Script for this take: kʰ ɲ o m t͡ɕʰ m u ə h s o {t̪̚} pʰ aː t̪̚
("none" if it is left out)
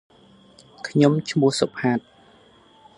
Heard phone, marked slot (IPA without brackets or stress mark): none